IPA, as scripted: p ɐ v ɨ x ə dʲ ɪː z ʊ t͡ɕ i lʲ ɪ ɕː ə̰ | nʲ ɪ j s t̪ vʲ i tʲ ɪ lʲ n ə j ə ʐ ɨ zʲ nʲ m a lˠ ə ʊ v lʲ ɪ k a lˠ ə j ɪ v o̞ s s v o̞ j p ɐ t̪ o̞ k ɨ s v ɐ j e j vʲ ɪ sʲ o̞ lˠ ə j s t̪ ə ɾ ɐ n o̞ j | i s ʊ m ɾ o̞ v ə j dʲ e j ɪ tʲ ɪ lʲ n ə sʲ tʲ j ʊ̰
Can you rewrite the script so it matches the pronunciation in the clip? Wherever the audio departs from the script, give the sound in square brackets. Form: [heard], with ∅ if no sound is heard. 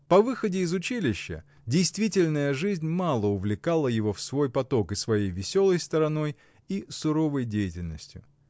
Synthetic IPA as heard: p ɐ v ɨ x ə dʲ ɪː z ʊ t͡ɕ i lʲ ɪ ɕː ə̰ | [dʲ] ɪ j s t̪ vʲ i tʲ ɪ lʲ n ə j ə ʐ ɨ zʲ nʲ m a lˠ ə ʊ v lʲ ɪ k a lˠ ə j ɪ v o̞ [f] s v o̞ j p ɐ t̪ o̞ k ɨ s v ɐ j e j vʲ ɪ sʲ o̞ lˠ ə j s t̪ ə ɾ ɐ n o̞ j | i s ʊ [∅] ɾ o̞ v ə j dʲ e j ɪ tʲ ɪ lʲ n ə sʲ tʲ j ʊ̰